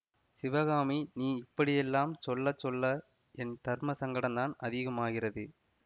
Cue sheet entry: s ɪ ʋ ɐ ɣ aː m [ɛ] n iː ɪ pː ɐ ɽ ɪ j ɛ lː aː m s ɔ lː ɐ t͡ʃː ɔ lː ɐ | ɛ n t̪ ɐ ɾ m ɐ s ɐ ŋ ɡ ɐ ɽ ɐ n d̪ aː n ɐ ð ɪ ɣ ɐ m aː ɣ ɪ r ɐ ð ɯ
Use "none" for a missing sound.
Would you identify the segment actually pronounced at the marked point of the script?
i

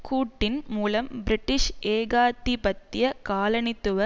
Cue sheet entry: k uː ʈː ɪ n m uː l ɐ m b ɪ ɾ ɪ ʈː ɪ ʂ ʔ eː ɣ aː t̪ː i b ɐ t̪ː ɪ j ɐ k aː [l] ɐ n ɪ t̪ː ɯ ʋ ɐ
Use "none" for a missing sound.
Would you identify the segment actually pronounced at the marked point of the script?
l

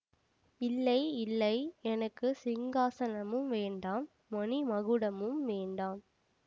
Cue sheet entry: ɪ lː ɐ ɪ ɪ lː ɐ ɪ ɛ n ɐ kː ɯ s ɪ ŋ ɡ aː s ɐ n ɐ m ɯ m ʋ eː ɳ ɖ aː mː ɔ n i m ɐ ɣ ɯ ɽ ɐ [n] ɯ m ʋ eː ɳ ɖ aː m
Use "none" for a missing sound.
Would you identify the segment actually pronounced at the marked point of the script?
m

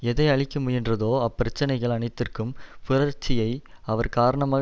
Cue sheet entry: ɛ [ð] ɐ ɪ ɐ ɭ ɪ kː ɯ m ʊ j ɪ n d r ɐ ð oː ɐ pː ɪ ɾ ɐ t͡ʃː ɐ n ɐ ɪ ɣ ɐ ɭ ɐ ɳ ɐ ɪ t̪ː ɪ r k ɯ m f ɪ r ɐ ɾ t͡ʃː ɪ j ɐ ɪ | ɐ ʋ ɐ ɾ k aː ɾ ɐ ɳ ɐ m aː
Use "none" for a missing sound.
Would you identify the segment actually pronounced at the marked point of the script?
ð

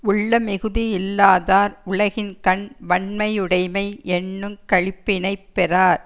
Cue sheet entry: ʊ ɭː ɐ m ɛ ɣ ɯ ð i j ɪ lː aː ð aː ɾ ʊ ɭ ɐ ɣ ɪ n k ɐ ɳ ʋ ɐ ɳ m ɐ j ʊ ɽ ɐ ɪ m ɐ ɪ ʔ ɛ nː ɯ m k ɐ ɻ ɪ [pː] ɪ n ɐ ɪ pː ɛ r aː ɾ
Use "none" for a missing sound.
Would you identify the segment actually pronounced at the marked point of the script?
pː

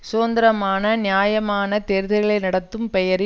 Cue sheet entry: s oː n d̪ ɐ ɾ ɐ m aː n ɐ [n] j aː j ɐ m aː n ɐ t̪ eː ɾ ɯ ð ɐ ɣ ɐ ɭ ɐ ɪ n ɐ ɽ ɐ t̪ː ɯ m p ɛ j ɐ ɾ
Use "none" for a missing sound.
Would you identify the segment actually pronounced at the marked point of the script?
n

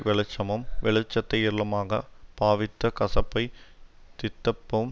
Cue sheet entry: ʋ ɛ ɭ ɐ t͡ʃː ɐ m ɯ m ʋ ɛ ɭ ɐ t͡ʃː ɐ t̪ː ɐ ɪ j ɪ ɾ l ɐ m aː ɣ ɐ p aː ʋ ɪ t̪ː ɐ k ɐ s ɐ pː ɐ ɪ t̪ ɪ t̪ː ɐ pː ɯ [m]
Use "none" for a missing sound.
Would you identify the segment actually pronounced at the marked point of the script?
m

